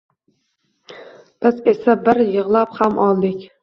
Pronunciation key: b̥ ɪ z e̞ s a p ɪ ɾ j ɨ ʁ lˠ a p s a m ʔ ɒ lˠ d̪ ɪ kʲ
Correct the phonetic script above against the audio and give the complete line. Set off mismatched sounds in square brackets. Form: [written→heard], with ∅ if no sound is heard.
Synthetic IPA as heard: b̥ ɪ z e̞ s a [p→b] ɪ ɾ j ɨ ʁ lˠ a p [s→h] a m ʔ ɒ lˠ d̪ ɪ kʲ